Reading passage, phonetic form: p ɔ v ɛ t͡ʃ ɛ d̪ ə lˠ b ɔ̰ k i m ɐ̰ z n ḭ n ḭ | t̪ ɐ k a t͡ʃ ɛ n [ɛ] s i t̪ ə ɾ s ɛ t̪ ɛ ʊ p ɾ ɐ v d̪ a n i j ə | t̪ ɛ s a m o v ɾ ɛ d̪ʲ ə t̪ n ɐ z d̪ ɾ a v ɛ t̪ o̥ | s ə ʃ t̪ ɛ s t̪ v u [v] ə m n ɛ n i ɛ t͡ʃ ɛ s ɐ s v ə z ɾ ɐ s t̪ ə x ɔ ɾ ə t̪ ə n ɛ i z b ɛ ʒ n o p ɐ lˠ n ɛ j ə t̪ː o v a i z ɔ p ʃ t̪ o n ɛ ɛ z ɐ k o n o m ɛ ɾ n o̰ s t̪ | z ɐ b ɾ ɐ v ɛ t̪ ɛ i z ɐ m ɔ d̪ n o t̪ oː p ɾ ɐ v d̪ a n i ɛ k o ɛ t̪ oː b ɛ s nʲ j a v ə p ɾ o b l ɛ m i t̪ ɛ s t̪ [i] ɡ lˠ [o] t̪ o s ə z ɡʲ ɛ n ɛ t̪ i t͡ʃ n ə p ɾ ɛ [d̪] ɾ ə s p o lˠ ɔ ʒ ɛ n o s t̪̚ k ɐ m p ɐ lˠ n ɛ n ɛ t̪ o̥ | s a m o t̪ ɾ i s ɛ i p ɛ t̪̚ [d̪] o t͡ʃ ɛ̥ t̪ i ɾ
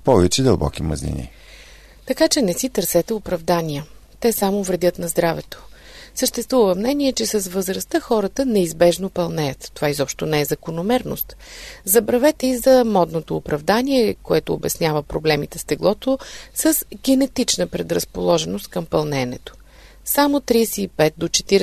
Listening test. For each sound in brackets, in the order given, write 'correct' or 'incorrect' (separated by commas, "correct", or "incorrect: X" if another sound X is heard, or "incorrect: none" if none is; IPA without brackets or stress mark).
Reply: correct, correct, incorrect: ɛ, incorrect: ɔ, correct, correct